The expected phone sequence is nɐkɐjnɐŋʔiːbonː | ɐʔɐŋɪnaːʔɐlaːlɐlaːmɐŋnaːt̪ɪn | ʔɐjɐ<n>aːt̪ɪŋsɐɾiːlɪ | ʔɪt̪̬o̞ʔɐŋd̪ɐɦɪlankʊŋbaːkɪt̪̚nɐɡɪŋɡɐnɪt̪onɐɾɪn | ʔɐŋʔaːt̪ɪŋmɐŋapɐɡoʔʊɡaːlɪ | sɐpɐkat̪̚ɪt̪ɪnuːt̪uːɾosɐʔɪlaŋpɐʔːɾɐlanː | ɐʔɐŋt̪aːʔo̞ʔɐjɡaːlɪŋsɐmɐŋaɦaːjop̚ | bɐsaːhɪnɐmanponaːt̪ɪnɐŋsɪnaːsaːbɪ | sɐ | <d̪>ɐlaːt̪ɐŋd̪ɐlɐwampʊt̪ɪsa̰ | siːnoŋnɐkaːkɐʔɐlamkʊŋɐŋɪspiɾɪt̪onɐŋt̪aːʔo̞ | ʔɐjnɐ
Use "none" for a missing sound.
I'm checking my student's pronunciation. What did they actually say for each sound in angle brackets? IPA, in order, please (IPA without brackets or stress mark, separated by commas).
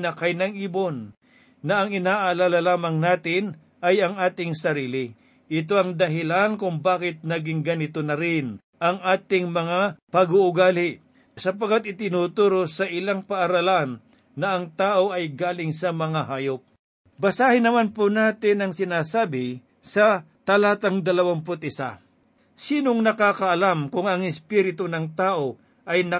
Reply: ŋ, t̪